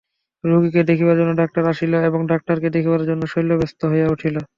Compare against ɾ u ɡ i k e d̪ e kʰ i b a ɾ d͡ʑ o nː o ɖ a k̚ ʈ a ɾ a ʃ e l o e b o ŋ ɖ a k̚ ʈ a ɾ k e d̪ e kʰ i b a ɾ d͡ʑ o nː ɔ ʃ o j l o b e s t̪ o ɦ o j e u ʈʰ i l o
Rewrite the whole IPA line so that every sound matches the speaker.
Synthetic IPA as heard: ɾ u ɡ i k e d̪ e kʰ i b a ɾ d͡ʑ o nː o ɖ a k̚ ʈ a ɾ a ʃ i l o e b o ŋ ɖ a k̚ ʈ a ɾ k e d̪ e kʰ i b a ɾ d͡ʑ o nː o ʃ o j l o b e s t̪ o ɦ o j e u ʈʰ i l o